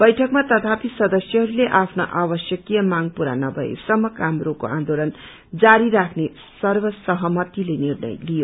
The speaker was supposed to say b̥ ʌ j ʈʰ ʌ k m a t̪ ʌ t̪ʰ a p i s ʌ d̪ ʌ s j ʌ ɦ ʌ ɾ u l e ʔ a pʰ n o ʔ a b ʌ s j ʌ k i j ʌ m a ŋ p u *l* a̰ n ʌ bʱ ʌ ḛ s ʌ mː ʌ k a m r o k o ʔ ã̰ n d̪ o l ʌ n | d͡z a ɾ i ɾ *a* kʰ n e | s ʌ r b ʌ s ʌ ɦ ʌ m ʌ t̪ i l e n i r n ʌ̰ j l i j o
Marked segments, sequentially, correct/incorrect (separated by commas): incorrect, correct